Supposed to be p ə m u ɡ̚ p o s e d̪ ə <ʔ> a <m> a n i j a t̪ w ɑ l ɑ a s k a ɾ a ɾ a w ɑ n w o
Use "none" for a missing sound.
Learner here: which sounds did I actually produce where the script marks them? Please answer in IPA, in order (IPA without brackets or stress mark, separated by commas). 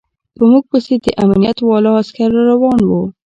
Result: ʔ, m